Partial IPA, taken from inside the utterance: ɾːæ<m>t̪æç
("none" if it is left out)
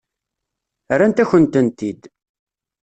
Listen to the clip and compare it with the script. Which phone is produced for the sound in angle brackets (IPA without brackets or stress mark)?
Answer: n